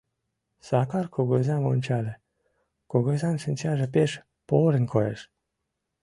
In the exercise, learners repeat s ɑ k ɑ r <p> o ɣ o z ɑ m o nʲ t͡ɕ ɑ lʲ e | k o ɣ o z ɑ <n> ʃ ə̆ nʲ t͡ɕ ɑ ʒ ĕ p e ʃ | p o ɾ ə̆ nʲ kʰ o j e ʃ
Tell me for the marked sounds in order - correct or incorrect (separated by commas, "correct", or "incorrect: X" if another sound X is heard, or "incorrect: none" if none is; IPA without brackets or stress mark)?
incorrect: k, correct